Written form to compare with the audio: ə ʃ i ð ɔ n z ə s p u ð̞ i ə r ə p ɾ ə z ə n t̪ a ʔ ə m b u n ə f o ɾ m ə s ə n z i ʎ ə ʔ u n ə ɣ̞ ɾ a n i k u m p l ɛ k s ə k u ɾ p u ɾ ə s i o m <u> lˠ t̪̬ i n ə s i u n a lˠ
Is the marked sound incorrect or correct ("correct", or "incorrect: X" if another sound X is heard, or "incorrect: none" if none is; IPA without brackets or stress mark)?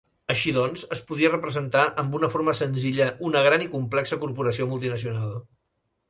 correct